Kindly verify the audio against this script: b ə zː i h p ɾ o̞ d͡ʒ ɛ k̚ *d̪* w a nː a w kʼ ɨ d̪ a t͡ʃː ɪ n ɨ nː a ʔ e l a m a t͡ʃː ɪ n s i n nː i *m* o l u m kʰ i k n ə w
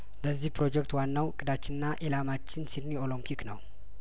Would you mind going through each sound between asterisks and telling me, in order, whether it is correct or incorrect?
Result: incorrect: t̪, incorrect: none

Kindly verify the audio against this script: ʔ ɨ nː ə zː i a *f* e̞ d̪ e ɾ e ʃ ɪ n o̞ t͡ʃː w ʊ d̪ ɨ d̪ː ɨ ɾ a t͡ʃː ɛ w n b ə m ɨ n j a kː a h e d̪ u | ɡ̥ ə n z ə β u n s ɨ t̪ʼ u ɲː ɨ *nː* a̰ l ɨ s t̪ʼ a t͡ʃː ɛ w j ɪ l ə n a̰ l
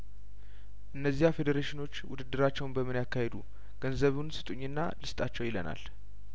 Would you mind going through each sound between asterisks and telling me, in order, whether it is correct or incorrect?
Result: correct, correct

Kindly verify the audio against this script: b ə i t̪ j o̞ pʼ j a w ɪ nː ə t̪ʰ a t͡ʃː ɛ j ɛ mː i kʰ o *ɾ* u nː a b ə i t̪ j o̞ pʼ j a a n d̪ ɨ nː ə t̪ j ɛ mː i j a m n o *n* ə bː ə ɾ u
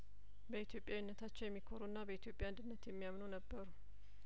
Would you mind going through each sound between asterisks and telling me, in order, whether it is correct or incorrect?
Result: correct, correct

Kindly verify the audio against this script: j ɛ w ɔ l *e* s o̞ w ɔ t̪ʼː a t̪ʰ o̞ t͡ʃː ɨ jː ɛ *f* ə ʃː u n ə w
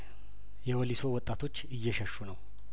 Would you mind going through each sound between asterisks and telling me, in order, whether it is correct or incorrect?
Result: incorrect: i, incorrect: ʃ

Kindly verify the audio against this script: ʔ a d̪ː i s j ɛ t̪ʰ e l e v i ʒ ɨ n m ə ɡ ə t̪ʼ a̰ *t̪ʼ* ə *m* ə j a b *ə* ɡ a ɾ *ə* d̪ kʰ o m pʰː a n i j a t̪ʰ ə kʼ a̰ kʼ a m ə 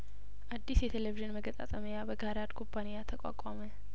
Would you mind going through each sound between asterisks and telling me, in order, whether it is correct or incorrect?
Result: correct, correct, correct, incorrect: a

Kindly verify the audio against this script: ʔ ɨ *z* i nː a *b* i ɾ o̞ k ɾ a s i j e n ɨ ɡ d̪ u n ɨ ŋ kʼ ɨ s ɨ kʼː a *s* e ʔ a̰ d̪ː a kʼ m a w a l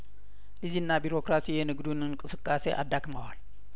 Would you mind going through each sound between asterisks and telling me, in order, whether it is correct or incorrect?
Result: correct, correct, correct

